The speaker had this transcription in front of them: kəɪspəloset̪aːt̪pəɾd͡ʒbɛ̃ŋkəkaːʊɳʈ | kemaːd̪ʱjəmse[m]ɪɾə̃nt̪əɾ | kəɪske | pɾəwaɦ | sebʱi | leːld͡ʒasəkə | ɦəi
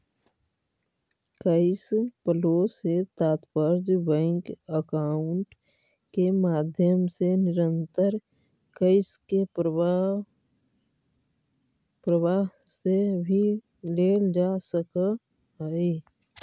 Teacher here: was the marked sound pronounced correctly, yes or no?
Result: no